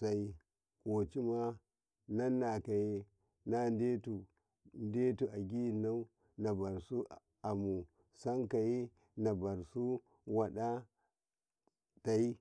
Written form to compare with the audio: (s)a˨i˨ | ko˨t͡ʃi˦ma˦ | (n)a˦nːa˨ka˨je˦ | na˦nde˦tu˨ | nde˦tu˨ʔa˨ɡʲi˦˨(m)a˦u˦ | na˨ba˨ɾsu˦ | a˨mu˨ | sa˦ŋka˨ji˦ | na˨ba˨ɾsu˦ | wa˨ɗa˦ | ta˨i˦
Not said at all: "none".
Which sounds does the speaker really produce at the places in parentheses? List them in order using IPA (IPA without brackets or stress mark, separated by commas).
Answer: s, n, n